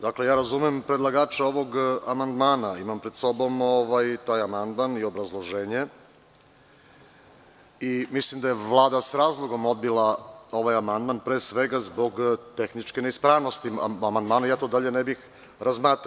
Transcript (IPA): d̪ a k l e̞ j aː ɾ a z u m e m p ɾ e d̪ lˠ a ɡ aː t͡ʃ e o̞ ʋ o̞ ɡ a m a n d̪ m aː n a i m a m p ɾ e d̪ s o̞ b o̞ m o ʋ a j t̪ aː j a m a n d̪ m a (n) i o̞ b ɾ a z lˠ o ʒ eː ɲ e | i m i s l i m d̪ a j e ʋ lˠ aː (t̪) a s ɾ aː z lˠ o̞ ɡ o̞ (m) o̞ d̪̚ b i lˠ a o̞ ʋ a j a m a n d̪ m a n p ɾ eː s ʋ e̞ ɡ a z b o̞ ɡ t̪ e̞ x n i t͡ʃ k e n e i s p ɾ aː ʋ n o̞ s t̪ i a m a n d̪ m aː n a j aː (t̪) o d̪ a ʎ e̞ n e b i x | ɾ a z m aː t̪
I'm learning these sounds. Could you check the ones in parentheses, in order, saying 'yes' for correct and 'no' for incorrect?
yes, no, yes, yes

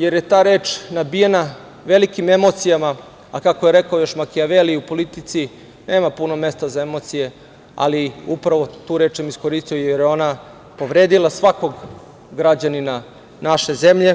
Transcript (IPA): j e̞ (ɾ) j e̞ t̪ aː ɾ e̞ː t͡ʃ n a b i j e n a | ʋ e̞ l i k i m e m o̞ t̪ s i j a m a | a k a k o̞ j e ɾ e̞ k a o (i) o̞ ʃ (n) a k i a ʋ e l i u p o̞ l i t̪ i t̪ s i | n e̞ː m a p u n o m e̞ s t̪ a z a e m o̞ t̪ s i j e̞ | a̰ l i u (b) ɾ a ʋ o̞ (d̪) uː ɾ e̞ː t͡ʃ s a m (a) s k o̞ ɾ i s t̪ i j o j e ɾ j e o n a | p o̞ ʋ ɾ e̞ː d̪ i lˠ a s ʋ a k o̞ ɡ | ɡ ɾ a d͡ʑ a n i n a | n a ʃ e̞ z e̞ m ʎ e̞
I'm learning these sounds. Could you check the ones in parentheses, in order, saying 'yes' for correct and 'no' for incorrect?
yes, no, no, no, no, no

